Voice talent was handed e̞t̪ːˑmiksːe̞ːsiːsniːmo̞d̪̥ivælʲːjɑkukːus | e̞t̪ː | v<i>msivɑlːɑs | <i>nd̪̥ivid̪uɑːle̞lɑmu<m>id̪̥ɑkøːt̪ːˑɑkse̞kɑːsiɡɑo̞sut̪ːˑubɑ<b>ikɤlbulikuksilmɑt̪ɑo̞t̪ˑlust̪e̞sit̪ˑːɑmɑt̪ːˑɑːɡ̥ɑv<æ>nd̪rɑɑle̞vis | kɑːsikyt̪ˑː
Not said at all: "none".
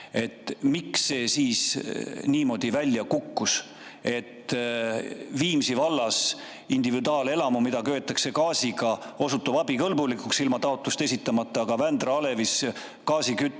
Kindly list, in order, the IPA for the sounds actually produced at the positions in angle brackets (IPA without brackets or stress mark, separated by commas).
iː, i, m, b, æ